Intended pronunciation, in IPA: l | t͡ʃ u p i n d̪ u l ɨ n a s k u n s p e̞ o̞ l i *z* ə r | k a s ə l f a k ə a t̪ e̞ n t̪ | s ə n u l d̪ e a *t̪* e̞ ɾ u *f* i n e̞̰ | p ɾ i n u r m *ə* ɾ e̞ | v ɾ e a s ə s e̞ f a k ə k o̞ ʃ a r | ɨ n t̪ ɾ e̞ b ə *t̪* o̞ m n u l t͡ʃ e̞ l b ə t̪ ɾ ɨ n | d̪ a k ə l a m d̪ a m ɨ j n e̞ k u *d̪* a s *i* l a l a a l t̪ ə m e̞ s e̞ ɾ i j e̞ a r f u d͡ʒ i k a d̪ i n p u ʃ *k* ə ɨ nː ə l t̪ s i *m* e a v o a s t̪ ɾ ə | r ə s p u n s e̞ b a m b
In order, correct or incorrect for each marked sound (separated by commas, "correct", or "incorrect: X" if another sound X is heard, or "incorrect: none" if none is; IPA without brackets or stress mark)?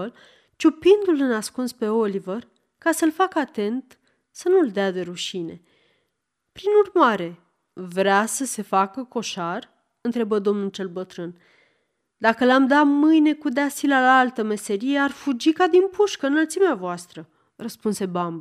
incorrect: v, incorrect: d̪, incorrect: ʃ, incorrect: a, incorrect: d̪, correct, correct, correct, correct